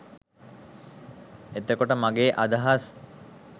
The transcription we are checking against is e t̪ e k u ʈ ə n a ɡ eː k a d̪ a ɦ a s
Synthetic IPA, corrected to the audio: e t̪ e k o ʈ ə m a ɡ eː ʔ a d̪ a ɦ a s